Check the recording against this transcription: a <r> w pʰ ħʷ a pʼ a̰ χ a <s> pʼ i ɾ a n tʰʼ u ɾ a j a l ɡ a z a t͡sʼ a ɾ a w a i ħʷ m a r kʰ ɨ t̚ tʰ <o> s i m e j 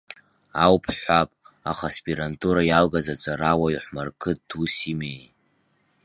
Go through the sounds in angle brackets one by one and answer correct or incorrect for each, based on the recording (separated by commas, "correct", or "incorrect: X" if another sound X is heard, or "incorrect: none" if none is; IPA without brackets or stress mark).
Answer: incorrect: none, correct, incorrect: u